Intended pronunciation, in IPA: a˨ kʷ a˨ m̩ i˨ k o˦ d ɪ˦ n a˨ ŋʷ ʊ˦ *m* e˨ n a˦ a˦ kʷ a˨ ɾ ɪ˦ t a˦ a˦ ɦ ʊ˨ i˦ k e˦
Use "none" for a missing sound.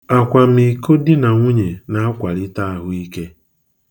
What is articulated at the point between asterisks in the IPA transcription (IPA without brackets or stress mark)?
ɲ